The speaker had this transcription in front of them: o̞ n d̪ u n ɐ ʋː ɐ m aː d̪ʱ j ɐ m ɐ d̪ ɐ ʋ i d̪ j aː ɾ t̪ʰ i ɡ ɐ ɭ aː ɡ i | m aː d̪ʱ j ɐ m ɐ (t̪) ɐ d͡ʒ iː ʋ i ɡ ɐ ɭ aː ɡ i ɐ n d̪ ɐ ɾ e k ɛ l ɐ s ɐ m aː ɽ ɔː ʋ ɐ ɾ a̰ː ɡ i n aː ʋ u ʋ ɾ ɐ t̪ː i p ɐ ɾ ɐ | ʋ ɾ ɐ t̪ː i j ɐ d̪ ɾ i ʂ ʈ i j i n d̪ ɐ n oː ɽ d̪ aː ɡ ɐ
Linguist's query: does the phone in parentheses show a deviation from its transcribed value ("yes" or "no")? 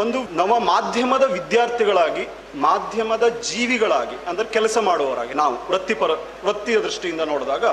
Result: yes